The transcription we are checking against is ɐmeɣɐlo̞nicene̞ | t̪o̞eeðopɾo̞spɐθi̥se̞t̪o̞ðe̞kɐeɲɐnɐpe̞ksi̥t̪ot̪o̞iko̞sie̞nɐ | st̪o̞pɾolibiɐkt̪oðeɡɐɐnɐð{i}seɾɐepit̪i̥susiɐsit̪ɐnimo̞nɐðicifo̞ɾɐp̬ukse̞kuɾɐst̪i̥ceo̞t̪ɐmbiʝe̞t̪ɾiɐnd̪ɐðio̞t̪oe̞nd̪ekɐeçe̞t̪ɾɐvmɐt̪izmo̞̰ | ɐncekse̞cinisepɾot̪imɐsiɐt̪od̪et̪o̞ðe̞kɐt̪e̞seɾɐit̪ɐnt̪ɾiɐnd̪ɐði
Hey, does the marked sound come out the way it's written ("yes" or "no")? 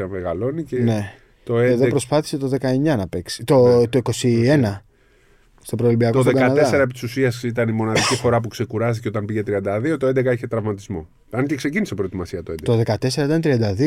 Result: no